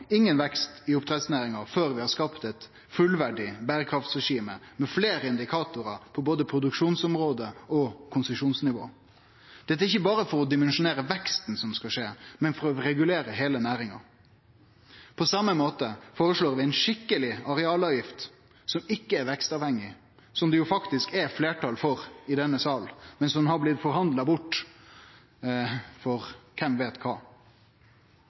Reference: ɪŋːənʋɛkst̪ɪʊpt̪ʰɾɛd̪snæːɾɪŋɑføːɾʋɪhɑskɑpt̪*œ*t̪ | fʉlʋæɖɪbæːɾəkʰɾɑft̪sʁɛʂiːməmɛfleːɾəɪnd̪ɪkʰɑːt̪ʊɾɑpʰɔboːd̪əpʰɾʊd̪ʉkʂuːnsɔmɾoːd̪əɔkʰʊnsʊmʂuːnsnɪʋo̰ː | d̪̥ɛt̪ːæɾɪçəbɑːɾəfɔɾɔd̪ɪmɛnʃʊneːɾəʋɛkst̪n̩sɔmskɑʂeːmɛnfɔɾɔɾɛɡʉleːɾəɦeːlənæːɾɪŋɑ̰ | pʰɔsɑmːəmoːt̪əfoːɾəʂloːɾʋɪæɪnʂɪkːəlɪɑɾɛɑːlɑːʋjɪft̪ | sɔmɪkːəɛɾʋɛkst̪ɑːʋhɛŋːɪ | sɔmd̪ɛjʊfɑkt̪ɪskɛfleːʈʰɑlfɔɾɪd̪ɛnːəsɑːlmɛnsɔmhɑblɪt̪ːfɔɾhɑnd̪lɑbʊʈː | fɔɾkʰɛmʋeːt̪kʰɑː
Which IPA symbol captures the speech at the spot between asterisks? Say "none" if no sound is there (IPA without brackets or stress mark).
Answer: ɛ